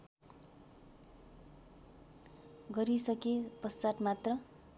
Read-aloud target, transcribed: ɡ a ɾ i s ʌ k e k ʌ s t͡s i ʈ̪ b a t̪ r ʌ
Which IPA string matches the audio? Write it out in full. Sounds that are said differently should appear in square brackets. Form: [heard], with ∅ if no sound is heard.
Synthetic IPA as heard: ɡ [ʌ] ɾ i s ʌ k e [p] ʌ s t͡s [a] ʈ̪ [m] a t̪ r ʌ

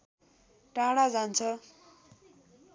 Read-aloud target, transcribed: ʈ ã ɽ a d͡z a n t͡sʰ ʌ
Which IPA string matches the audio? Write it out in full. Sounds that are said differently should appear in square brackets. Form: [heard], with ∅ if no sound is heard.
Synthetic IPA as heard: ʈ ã ɽ a d͡z a n t͡sʰ ʌ

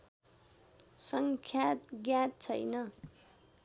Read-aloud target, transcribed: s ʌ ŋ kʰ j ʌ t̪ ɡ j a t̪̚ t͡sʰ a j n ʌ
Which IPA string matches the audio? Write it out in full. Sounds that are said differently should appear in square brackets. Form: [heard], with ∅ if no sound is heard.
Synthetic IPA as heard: s ʌ ŋ kʰ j [a] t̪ ɡ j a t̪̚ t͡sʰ [ʌ] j n ʌ

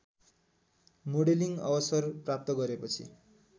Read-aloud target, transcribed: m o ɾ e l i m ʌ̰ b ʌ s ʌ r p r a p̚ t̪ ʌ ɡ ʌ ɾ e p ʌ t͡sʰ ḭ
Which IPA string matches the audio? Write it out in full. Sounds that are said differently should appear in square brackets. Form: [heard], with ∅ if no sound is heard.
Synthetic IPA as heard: m o [ɽ] e l i [ŋ] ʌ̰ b ʌ s ʌ r p r a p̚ t̪ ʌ ɡ ʌ ɾ e p ʌ t͡sʰ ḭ

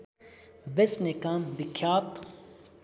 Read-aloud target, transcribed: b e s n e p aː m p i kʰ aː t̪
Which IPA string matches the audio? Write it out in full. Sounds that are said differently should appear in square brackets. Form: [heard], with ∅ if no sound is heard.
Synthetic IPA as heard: b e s n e [k] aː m [b] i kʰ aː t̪

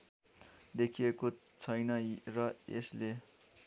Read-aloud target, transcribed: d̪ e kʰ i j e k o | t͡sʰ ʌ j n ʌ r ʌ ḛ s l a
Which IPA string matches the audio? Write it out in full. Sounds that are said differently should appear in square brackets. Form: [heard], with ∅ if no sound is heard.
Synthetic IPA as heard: d̪ e kʰ i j e k o | t͡sʰ ʌ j n ʌ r ʌ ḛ s l [e]

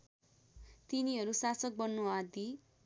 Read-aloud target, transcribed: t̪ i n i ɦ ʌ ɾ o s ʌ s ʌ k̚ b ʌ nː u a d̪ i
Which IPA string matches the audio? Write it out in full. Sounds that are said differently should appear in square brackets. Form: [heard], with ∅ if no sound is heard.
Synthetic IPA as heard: t̪ i n i ɦ ʌ ɾ [u] s [a] s ʌ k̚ b ʌ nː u a d̪ i

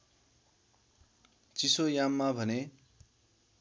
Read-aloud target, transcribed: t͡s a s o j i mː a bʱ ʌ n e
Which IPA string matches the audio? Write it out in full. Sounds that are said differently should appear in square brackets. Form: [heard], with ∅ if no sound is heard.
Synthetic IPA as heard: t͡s [i] s o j [a] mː a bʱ ʌ n e

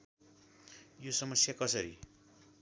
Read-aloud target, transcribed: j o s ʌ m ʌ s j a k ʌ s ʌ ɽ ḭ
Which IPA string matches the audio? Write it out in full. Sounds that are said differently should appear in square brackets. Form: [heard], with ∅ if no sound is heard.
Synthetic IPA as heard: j o s ʌ m ʌ s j a k ʌ s ʌ [ɾ] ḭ

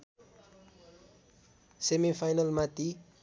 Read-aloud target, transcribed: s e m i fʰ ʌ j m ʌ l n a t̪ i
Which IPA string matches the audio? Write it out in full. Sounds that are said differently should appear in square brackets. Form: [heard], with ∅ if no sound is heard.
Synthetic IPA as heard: s e m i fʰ [a] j [n] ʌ l [m] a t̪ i

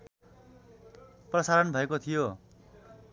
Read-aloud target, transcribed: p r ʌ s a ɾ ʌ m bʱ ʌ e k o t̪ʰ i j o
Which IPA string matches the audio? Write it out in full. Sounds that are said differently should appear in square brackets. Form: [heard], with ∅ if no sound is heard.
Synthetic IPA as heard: p r ʌ s a ɾ ʌ [n] bʱ ʌ e k o t̪ʰ i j o

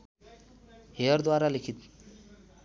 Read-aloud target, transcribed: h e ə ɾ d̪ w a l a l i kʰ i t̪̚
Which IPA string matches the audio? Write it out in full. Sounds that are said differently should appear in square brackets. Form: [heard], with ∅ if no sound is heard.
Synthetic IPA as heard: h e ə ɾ d̪ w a [ɾ] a l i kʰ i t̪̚

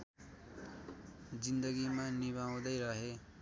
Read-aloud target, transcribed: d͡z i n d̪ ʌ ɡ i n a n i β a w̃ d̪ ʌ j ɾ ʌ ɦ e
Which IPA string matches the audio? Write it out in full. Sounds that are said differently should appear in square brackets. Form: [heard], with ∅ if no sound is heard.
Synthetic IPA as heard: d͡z i n d̪ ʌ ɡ i [m] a n i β a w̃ d̪ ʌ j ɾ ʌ ɦ e

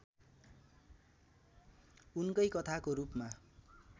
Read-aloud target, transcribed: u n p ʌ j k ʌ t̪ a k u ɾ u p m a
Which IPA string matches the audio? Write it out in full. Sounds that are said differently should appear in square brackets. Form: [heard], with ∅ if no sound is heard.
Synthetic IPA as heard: u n [k] ʌ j k ʌ [t̪ʰ] a k [o] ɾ u p m a

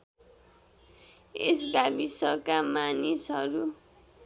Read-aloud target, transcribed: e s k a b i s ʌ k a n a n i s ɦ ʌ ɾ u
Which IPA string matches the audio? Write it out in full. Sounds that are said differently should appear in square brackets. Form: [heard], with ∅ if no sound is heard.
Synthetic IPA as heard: e s k a b i s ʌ k a [m] a n i s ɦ ʌ ɾ u

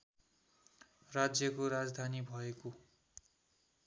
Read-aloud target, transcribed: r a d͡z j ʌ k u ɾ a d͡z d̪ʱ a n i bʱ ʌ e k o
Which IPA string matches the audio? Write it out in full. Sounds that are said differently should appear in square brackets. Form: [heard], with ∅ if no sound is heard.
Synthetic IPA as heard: r a d͡z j ʌ k [o] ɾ a d͡z d̪ʱ a n i bʱ ʌ e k o

